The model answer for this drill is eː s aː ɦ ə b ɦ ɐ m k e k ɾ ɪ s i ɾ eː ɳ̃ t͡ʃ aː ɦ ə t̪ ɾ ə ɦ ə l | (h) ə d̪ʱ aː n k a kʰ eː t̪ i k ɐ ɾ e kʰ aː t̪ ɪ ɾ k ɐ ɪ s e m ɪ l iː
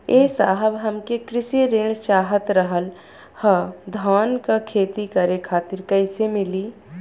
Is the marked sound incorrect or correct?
correct